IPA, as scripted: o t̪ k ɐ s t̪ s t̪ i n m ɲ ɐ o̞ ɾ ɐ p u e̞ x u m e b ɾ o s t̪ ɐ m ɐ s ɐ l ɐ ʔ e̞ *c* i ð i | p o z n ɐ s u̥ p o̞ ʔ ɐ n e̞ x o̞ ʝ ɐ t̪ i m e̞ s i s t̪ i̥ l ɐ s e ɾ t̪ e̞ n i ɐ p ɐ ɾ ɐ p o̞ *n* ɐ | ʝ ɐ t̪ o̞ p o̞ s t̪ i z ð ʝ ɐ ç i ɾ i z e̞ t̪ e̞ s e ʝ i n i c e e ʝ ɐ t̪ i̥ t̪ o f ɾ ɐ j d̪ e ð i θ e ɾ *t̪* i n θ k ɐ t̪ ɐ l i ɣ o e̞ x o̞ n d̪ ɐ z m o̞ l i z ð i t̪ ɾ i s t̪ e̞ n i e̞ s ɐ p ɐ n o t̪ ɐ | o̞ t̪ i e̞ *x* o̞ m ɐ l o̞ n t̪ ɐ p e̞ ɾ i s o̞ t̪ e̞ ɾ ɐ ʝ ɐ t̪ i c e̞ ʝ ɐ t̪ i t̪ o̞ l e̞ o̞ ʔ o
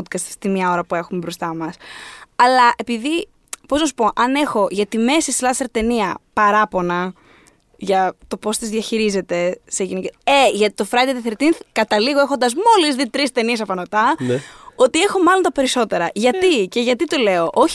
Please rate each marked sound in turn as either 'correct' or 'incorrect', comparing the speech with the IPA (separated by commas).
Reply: incorrect, correct, correct, correct